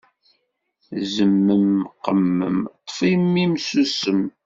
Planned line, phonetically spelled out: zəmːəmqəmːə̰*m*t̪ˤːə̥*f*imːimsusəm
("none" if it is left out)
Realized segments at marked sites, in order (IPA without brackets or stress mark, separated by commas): m, f